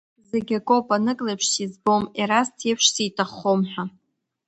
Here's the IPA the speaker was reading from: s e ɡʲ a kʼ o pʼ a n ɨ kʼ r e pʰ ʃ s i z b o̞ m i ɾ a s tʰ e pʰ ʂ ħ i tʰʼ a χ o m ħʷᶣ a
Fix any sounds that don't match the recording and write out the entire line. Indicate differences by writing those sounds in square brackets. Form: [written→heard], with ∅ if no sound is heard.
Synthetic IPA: [s→z] e ɡʲ a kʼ o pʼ a n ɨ kʼ [r→l] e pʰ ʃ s i z b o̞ m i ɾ a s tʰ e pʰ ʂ [ħ→s] i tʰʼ a χ o m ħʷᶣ a